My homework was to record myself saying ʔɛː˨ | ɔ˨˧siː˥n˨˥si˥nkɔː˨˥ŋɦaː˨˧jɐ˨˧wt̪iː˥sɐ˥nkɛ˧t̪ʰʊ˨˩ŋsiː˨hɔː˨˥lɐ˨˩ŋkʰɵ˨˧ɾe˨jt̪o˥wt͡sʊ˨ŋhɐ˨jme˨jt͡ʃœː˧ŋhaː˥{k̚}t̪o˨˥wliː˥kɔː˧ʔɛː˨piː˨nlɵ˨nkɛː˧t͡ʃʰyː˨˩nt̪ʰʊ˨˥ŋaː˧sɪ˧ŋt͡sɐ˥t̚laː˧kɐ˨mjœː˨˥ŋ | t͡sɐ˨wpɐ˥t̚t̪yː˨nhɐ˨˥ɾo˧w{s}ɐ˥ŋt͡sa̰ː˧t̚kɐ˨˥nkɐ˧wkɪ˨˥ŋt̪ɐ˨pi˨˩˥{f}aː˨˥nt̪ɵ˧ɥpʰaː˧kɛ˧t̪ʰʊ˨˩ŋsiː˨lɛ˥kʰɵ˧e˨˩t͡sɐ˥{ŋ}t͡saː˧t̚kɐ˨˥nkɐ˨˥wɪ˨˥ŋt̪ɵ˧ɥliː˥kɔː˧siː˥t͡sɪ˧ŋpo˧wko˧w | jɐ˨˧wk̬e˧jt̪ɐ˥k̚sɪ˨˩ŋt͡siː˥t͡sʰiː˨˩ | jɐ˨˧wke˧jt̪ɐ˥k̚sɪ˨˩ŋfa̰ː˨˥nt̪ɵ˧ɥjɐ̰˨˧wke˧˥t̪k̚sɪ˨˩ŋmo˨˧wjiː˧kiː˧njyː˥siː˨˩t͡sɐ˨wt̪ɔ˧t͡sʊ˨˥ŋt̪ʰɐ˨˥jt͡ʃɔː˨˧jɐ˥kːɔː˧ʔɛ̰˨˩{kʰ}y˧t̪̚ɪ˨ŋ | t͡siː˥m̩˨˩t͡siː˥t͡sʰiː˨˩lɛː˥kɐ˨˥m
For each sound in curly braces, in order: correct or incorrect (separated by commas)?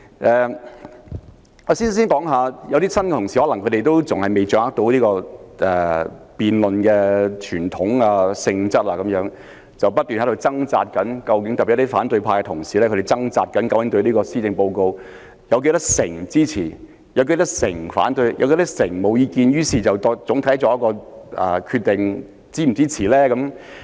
correct, incorrect, correct, correct, correct